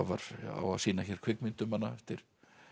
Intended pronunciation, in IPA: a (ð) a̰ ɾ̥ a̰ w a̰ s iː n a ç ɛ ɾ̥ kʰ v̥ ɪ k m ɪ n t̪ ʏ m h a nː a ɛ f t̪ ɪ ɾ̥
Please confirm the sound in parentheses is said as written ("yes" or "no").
no